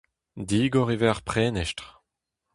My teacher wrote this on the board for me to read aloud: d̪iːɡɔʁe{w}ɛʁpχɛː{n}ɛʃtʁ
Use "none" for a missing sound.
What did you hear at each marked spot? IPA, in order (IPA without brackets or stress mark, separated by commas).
v, n